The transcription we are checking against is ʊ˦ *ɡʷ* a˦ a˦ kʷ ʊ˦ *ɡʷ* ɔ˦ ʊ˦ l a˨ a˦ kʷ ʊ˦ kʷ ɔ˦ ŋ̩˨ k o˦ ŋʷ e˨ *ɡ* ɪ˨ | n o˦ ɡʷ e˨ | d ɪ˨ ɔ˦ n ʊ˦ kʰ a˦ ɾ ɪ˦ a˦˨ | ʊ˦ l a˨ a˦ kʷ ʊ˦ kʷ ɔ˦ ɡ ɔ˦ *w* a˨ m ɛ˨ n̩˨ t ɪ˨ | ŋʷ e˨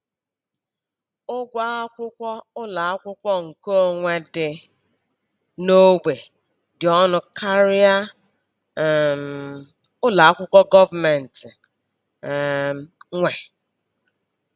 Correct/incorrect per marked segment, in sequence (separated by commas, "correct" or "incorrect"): correct, incorrect, incorrect, incorrect